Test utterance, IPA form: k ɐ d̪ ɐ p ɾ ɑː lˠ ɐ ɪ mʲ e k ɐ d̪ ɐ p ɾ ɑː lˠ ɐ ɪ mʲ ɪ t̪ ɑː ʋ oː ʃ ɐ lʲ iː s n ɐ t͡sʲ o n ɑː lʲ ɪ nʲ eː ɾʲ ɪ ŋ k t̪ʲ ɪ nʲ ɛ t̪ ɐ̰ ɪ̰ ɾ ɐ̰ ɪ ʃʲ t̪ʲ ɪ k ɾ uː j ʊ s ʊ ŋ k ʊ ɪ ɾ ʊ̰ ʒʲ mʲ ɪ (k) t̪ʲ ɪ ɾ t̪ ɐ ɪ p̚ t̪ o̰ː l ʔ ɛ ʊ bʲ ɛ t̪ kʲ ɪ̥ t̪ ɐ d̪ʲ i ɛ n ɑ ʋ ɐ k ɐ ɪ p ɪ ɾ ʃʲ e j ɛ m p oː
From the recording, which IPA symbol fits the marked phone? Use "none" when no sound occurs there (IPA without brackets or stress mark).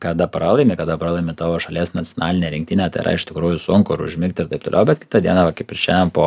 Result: k